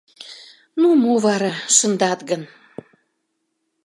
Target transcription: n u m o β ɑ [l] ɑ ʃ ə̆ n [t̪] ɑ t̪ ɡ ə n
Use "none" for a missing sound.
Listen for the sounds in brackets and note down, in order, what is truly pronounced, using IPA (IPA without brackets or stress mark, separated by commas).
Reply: ɾ, d̪